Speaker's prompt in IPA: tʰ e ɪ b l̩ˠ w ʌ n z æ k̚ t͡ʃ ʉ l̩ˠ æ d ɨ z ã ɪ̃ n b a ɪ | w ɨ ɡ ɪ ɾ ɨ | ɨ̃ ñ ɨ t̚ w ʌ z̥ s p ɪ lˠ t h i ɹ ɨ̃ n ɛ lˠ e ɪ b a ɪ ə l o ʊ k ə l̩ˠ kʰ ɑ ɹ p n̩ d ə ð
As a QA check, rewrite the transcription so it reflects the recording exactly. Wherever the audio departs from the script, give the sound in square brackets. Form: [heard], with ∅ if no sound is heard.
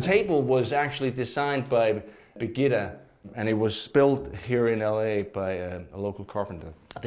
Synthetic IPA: tʰ e ɪ b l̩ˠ w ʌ [∅] z æ k̚ t͡ʃ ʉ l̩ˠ [i] d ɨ z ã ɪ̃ n b a ɪ | [b] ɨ ɡ ɪ ɾ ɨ | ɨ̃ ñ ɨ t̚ w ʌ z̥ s p ɪ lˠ t h i ɹ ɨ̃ n ɛ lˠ e ɪ b a ɪ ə l o ʊ k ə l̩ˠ kʰ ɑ ɹ p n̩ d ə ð